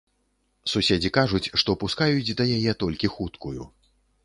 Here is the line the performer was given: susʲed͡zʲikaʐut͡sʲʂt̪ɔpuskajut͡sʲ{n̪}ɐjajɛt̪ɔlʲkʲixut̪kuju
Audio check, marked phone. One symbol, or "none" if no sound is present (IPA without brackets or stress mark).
d̪